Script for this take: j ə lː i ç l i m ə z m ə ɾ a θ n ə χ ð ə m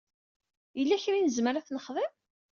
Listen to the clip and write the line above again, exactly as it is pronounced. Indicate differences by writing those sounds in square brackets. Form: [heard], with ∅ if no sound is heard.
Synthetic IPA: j ə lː [æ] ç [ɾ] i [n] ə z m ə ɾ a θ n ə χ ð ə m